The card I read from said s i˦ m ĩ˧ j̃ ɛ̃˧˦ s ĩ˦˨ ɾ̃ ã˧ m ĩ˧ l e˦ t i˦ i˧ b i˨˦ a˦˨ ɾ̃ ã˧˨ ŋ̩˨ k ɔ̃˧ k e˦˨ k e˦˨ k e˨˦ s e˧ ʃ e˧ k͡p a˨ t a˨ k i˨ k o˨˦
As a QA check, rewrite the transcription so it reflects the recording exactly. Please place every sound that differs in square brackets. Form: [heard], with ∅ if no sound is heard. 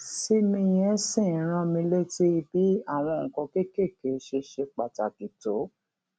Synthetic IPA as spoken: s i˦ m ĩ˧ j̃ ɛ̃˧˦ s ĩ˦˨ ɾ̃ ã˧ m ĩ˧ l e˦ t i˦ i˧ b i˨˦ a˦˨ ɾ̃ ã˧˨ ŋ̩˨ k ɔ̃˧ k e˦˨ k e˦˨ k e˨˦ [ʃ] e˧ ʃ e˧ k͡p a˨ t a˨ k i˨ [t] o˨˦

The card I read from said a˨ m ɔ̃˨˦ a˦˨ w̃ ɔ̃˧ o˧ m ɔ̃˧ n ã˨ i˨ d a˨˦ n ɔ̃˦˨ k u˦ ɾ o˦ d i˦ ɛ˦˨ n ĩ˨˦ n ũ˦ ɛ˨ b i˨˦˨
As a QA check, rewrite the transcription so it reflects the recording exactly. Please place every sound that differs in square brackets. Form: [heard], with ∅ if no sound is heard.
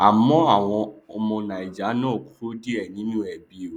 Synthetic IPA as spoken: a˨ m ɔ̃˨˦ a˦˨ w̃ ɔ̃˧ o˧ m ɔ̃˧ n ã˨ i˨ [d͡ʒ] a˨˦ n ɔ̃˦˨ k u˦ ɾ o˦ d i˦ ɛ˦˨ n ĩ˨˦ n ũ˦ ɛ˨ b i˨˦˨

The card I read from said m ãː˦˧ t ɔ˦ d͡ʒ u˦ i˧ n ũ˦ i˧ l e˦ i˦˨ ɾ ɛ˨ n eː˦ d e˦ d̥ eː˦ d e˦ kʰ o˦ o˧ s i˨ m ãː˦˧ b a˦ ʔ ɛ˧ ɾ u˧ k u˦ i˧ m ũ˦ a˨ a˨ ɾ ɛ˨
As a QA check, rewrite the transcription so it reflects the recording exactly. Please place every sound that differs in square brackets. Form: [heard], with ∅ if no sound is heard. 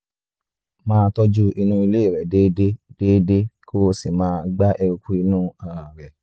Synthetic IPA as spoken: m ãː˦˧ t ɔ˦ d͡ʒ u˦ i˧ n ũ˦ i˧ l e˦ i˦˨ ɾ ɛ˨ [d] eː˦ d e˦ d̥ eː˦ d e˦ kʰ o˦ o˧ s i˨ m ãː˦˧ [ɡ͡b] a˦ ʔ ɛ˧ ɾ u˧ k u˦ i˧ [n] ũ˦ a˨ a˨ ɾ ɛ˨

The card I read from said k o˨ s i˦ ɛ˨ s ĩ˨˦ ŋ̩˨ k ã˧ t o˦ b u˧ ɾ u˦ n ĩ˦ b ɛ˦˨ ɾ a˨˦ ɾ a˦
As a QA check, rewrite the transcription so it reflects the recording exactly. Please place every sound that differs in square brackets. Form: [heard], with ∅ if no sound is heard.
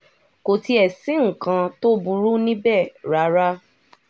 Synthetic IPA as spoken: k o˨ [t] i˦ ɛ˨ s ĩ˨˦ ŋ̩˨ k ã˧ t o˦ b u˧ ɾ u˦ n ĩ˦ b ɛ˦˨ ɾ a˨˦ ɾ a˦

